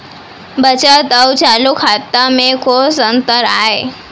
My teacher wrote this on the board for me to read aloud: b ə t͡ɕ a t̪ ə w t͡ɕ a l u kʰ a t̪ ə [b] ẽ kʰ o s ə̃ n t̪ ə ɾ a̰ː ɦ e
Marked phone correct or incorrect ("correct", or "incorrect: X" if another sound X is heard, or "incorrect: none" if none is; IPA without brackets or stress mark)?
incorrect: m